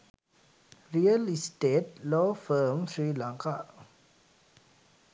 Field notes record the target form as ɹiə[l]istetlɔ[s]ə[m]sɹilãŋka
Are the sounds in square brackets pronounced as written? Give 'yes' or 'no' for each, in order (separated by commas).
yes, no, yes